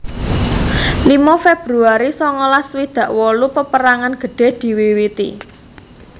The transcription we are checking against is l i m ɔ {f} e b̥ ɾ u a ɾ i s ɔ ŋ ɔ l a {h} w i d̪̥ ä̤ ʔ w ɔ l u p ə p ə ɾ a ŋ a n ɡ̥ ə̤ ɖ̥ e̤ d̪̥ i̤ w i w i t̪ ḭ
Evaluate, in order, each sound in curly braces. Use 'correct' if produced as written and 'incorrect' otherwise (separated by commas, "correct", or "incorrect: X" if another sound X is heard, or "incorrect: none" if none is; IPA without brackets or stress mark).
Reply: correct, incorrect: s